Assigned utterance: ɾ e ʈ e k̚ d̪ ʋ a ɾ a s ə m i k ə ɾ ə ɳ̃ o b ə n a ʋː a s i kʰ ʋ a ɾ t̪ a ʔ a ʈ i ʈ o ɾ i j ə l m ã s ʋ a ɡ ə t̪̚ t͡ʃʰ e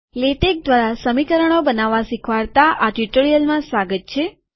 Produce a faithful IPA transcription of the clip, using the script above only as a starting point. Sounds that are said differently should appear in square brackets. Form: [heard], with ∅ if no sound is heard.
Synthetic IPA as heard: [l] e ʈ e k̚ d̪ ʋ a ɾ a s ə m i k ə ɾ ə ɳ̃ o b ə n a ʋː a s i kʰ ʋ a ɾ t̪ a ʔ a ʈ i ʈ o ɾ i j ə l m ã s ʋ a ɡ ə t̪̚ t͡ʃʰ e